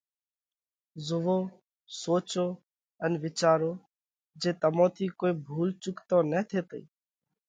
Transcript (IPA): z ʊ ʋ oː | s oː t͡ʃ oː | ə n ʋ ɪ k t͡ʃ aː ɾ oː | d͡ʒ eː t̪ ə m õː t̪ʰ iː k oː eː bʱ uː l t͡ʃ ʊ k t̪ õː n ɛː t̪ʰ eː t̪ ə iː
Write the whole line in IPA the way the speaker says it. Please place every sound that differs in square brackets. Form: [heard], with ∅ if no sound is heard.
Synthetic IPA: z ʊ ʋ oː | s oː t͡ʃ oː | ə n ʋ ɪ [∅] t͡ʃ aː ɾ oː | d͡ʒ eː t̪ ə m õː t̪ʰ iː k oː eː bʱ uː l t͡ʃ ʊ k t̪ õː n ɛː t̪ʰ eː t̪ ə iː

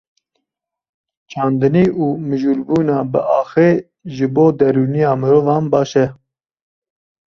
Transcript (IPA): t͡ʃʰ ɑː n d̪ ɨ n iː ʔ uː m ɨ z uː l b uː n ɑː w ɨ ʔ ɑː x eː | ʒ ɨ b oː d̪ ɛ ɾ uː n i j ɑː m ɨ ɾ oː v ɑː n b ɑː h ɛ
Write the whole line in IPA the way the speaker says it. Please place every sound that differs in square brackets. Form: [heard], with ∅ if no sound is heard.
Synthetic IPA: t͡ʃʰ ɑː n d̪ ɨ n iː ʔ uː m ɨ [ʒ] uː l b uː n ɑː [b] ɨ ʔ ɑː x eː | ʒ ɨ b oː d̪ ɛ ɾ uː n i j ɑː m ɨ ɾ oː v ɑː n b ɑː [ʃ] ɛ

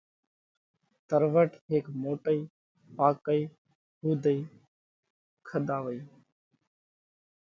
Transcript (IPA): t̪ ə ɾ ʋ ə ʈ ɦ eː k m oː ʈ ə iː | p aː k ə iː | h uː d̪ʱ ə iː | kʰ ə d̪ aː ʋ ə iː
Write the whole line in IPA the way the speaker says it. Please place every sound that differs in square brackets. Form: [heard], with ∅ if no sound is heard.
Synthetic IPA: t̪ ə ɾ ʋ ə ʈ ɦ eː k m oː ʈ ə iː | p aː k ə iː | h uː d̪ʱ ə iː | kʰ ə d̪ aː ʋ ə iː

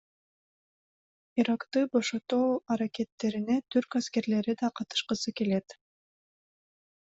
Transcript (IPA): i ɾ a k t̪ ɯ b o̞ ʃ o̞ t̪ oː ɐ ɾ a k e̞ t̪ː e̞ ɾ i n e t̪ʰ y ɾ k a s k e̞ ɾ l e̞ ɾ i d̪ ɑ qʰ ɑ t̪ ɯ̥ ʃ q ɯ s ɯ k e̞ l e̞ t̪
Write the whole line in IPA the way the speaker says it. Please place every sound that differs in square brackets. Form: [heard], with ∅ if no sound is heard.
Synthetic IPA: i ɾ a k t̪ ɯ b o̞ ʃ o̞ t̪ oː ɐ ɾ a k e̞ t̪ː e̞ ɾ i n e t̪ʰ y ɾ k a s k e̞ ɾ l e̞ ɾ i d̪ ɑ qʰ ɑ t̪ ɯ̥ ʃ q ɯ s ɯ k e̞ l e̞ t̪

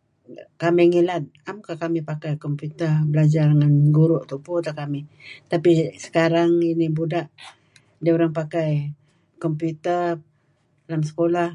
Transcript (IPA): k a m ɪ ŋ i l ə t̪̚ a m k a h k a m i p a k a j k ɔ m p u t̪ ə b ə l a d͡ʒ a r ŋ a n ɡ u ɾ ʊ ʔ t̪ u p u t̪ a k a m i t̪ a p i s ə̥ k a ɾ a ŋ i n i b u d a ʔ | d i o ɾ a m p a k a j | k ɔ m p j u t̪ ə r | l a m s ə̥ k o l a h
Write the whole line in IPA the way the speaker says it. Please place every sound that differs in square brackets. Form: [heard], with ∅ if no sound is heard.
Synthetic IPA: k a m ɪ ŋ i l [a] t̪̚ a m k a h k a m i p a k a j k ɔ m p u t̪ ə b ə l a d͡ʒ a r ŋ a n ɡ u ɾ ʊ ʔ t̪ u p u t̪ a k a m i t̪ a p i s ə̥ k a ɾ a ŋ i n i b u d a ʔ | d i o ɾ a [ŋ] p a k a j | k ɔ m p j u t̪ ə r | l a m s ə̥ k o l a h

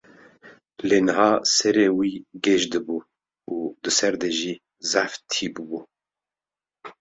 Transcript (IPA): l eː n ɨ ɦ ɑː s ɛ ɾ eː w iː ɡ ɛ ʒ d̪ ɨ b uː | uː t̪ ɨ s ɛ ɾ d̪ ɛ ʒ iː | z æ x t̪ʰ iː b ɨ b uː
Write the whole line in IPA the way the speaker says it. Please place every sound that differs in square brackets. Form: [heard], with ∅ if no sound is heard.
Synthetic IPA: l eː n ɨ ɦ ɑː s ɛ ɾ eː w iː ɡ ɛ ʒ d̪ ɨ b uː | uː [d̪] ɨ s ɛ ɾ d̪ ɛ ʒ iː | z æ [f] t̪ʰ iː b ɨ b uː

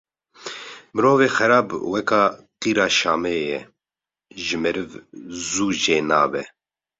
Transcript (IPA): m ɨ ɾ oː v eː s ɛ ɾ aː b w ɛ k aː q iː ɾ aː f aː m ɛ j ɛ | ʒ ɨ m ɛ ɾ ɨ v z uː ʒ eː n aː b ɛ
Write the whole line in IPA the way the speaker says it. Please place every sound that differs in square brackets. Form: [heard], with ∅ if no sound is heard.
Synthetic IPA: m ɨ ɾ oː v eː [x] ɛ ɾ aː b w ɛ k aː q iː ɾ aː [ʃ] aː m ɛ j ɛ | ʒ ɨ m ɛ ɾ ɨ v z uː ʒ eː n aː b ɛ

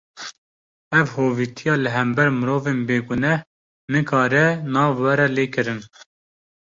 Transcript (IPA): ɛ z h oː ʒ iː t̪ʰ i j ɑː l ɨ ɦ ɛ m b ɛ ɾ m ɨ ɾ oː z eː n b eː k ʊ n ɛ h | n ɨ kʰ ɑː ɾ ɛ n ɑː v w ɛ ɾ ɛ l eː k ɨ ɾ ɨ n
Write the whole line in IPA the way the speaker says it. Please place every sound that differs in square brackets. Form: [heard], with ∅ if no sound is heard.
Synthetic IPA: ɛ [v] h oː [v] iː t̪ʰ i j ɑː l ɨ ɦ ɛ m b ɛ ɾ m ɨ ɾ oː [v] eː n b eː [ɡ] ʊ n ɛ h | n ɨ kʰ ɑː ɾ ɛ n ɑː v w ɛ ɾ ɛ l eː k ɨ ɾ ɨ n

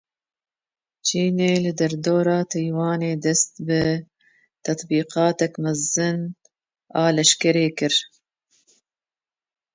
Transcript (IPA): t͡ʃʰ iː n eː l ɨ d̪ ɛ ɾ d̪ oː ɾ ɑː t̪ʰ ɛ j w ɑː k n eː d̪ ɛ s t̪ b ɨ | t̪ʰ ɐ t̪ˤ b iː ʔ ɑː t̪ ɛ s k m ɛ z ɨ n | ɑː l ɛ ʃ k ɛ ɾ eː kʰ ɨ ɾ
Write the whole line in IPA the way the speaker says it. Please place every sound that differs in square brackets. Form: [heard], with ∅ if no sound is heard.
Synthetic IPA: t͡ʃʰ iː n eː l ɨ d̪ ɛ ɾ d̪ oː ɾ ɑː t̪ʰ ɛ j w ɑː [∅] n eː d̪ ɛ s t̪ b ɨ | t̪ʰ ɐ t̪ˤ b iː [q] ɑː t̪ ɛ [∅] k m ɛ z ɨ n | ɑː l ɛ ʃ k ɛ ɾ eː [k] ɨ ɾ

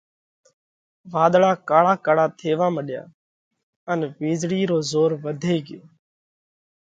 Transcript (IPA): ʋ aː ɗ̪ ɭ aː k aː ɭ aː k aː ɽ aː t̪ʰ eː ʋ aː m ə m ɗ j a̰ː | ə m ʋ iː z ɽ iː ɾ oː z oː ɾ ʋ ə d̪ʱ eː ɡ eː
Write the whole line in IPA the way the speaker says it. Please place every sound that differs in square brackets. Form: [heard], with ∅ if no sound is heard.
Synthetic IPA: ʋ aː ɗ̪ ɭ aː k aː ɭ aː k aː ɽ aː t̪ʰ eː ʋ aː m ə [∅] ɗ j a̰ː | ə [n] ʋ iː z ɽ iː ɾ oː z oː ɾ ʋ ə d̪ʱ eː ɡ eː

